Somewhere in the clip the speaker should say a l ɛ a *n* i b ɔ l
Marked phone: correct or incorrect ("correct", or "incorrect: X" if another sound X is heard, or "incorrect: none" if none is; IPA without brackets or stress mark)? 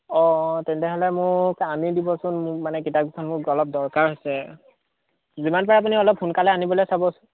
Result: correct